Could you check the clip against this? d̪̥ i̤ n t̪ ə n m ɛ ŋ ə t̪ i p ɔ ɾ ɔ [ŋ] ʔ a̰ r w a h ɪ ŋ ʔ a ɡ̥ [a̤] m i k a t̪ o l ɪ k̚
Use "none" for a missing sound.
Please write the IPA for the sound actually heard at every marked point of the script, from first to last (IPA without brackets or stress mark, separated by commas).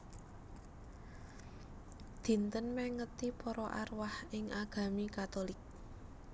none, a̤